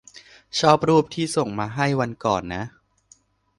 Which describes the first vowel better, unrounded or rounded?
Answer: rounded